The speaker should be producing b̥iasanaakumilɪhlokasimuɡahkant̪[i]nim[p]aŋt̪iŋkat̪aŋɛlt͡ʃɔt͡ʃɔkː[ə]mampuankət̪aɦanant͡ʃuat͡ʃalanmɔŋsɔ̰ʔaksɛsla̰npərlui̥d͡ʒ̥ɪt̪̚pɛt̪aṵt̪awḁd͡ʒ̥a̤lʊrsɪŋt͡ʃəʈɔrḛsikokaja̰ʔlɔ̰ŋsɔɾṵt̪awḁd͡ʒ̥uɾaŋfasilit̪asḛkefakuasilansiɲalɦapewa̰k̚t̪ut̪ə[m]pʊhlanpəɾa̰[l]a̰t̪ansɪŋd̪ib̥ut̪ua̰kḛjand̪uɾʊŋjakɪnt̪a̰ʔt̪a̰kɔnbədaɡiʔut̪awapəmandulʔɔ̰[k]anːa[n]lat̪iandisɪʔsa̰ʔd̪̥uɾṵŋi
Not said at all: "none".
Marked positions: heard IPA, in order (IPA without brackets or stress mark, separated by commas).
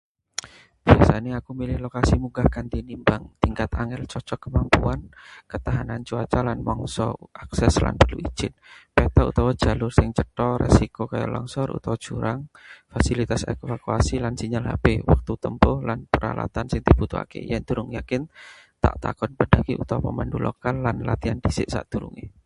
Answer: i, b, ə, m, l, k, n